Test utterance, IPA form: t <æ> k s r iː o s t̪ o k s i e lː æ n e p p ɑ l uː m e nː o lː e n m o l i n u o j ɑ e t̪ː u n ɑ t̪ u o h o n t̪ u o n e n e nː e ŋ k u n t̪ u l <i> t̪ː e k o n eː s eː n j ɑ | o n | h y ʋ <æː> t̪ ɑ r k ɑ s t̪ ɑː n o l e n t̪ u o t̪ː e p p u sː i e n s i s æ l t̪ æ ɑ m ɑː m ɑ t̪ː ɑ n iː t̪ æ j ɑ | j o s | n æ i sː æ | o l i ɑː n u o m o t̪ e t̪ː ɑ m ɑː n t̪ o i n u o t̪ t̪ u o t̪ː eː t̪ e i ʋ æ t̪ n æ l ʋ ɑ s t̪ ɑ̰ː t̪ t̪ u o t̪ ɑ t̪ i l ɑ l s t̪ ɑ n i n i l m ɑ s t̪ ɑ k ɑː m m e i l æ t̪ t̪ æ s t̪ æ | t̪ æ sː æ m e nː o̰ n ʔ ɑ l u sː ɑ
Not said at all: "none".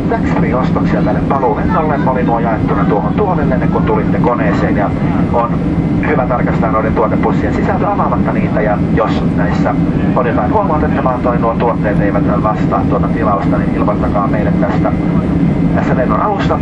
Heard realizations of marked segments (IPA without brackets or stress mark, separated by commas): æ, i, æ